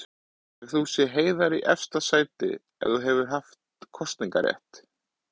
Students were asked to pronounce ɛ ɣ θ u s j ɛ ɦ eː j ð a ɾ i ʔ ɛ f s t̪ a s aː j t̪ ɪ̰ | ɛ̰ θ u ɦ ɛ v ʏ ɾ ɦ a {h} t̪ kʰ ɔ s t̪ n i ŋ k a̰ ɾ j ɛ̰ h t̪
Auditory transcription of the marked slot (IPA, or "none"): f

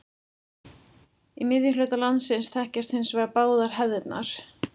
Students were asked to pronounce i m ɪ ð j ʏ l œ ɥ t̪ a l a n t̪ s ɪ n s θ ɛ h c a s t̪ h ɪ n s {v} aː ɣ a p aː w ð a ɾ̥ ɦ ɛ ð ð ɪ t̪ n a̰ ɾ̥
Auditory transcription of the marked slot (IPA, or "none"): v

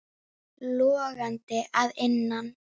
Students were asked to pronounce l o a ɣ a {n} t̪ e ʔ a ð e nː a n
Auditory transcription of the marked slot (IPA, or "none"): n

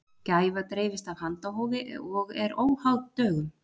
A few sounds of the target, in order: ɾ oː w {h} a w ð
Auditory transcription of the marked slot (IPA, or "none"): h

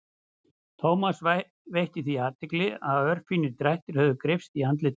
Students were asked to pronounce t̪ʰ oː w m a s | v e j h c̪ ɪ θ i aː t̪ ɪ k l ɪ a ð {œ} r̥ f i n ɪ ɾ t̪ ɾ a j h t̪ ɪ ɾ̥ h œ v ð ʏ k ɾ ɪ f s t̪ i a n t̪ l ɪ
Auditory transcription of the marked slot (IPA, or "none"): œ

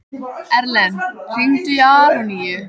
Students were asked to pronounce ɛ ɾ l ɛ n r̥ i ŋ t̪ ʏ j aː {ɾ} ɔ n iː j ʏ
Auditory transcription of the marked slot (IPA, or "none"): ɾ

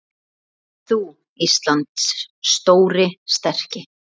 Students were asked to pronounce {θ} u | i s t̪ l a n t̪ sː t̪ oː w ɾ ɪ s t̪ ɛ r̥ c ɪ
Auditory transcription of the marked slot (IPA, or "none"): θ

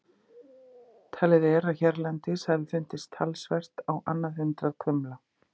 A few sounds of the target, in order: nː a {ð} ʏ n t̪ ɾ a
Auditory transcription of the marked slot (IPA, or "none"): ð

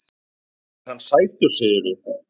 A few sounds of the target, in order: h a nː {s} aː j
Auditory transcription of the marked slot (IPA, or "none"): s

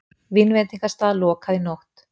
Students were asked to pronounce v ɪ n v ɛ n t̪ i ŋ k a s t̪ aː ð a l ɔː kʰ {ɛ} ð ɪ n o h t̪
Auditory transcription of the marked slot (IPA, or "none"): a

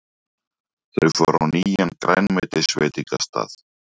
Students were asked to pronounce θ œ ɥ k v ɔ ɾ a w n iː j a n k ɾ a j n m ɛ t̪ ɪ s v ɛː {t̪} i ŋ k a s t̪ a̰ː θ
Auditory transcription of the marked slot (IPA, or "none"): t̪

